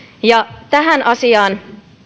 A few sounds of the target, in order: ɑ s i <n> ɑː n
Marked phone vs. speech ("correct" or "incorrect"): incorrect